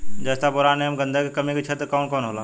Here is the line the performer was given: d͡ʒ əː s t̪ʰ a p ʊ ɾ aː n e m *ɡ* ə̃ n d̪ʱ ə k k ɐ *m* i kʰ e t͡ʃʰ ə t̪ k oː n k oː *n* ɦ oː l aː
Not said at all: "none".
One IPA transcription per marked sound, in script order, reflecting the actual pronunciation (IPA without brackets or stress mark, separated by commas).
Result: ɡ, m, n